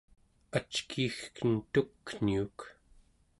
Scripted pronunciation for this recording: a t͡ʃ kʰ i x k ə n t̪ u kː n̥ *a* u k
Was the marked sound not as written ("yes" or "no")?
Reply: yes